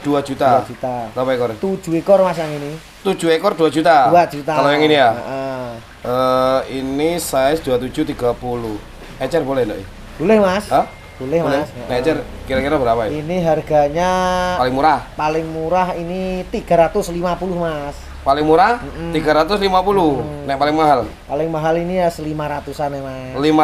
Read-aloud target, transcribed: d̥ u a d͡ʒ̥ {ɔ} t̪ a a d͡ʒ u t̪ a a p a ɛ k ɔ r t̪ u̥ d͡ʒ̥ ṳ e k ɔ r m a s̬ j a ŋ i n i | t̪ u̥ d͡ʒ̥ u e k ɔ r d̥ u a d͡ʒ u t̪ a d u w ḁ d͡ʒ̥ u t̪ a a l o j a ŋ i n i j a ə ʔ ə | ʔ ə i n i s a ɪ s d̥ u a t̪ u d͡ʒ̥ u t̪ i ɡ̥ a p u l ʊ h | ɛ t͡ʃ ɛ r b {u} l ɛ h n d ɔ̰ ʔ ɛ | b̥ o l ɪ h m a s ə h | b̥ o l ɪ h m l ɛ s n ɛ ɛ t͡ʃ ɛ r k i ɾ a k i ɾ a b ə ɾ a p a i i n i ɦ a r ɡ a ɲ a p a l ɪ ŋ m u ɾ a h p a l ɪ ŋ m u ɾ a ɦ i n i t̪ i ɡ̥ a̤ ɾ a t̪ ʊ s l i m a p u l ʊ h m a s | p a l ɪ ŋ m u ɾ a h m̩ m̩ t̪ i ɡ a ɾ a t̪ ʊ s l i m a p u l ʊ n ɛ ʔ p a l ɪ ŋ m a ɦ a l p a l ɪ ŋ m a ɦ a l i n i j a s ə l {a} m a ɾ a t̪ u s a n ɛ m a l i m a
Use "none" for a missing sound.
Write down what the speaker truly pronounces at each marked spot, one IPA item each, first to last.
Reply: u, o, i

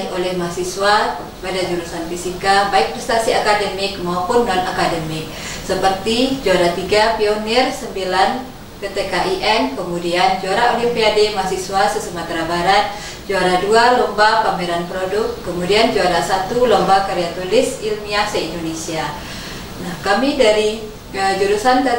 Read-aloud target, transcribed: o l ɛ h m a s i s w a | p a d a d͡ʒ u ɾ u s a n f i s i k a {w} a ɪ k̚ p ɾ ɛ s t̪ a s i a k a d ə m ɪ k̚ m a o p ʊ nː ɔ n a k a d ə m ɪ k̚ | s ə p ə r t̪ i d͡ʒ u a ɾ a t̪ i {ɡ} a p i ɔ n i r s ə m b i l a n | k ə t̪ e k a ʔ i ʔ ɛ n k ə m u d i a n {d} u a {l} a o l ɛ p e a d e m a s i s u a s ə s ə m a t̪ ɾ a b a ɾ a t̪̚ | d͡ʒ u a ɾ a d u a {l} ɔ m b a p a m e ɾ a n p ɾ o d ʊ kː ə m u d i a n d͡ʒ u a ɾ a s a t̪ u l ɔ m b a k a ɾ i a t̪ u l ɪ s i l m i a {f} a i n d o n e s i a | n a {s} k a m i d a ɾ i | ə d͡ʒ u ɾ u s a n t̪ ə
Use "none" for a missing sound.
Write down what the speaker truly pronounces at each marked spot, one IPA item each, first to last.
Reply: b, ɡ, d͡ʒ, ɾ, l, s, h

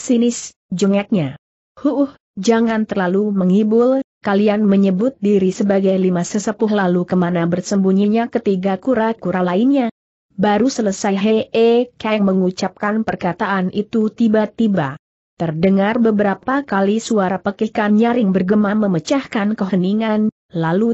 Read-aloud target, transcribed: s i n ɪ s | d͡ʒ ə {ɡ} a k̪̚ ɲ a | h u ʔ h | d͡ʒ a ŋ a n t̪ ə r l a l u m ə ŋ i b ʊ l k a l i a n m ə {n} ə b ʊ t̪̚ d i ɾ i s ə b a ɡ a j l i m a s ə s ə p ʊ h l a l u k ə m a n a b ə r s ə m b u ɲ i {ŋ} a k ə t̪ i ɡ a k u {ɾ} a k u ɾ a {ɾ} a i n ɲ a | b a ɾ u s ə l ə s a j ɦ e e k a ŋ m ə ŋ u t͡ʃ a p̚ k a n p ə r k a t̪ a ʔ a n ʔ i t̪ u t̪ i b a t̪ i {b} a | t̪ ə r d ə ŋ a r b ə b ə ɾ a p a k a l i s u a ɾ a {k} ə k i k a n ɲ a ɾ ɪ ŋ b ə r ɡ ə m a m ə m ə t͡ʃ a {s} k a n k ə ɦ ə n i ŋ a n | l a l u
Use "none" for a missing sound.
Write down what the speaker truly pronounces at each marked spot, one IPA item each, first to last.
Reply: ŋ, ɲ, ɲ, ɾ, l, b, p, h

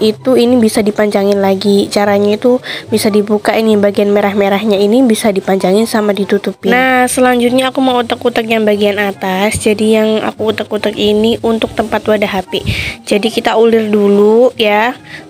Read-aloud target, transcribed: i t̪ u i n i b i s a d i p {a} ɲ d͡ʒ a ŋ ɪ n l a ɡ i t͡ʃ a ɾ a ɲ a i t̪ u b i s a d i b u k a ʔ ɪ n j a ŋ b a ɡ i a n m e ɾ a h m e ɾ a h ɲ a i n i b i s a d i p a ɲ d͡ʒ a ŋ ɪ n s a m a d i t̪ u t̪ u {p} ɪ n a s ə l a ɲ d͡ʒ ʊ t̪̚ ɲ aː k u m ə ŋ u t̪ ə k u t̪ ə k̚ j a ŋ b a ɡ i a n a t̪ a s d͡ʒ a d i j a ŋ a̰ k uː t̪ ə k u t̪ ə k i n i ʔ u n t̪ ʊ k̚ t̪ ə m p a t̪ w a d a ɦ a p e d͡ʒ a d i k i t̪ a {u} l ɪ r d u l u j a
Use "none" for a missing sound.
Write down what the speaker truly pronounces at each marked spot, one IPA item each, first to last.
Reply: a, p, u

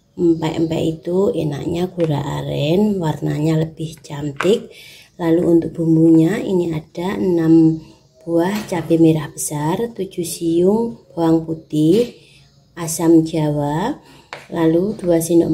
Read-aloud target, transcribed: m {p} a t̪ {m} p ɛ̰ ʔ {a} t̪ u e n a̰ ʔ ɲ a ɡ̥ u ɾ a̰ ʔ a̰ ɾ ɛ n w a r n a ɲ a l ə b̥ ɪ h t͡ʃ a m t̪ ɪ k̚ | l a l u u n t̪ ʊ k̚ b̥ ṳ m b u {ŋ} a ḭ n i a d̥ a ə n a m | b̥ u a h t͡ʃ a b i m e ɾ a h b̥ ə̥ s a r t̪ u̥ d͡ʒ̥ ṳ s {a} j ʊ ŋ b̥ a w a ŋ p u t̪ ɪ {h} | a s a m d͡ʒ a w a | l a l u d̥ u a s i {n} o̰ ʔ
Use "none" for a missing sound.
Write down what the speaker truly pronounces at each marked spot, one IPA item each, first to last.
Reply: p, m, i, ɲ, i, h, n

